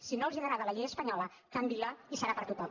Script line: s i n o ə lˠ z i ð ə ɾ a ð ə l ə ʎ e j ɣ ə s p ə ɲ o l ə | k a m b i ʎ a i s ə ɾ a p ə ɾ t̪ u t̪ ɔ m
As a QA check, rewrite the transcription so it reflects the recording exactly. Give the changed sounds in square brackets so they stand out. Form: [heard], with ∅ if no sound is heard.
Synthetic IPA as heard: s i n o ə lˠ z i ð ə ɾ a ð ə l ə ʎ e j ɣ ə s p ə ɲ [ɔ] l ə | k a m b i [l] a i s ə ɾ a p ə ɾ t̪ u t̪ ɔ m